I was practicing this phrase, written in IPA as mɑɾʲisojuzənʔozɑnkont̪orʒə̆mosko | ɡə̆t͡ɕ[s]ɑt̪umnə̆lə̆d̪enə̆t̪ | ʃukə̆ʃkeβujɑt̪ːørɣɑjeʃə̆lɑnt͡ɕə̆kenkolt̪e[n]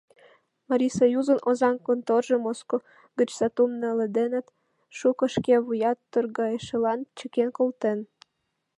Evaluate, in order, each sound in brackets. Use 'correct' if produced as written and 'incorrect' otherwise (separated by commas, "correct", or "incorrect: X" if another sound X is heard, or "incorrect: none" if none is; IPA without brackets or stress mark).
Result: correct, correct